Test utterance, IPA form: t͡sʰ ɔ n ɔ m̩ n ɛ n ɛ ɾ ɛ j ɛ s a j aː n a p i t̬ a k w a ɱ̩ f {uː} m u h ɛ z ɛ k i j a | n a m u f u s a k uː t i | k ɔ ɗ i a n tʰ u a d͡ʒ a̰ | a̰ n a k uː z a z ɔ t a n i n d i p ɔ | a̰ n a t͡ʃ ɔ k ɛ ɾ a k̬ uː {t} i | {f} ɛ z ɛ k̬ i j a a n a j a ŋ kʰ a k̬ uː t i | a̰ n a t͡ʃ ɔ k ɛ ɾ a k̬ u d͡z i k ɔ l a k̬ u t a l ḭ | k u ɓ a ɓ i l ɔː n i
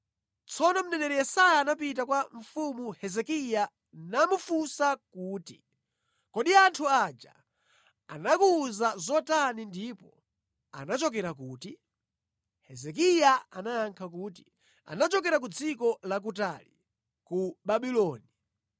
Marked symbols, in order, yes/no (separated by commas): no, yes, no